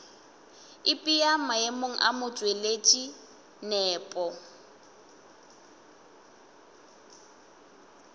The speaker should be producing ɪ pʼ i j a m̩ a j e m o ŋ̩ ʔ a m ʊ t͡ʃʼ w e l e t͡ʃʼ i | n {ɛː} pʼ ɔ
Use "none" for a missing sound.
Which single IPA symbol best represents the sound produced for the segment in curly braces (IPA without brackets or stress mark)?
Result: ɛː